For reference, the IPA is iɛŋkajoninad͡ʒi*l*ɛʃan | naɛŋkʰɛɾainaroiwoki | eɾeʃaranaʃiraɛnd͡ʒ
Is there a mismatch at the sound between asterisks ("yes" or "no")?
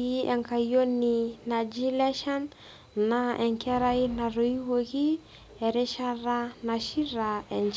no